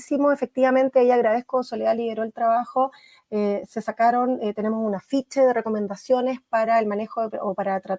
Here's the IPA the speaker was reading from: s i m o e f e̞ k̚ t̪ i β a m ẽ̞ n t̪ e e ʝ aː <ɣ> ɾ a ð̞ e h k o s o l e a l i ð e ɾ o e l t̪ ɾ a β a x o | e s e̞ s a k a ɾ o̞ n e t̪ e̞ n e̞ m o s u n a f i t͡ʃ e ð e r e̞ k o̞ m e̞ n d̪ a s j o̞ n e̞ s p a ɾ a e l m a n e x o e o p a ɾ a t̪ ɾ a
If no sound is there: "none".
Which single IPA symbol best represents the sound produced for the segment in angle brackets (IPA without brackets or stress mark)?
ɣ